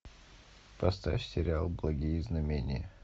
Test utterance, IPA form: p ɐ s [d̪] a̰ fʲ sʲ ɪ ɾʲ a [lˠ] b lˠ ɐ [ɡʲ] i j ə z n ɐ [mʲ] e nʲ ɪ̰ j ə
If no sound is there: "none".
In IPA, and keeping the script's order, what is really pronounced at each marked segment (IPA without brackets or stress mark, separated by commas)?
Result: t̪, lˠ, ɡʲ, mʲ